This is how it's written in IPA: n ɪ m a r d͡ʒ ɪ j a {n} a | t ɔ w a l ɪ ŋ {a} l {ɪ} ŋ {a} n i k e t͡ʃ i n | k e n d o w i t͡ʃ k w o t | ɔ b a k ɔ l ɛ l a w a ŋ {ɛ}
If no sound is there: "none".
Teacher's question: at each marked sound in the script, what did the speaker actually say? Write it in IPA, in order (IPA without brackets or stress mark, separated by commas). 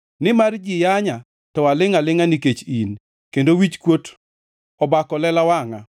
ɲ, a, ɪ, a, a